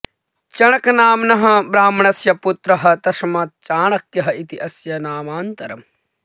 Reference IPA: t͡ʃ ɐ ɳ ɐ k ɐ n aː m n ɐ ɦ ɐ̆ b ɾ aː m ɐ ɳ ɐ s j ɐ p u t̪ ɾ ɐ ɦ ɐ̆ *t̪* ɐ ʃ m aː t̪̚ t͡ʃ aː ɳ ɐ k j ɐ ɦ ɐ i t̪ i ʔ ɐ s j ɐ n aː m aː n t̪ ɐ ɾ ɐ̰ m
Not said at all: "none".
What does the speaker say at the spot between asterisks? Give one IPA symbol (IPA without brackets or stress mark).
t̪